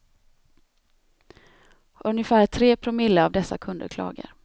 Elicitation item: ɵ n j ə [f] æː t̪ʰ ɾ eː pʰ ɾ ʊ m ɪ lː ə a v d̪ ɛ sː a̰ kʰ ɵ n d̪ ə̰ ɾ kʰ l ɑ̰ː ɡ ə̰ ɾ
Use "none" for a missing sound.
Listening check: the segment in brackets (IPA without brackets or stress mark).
f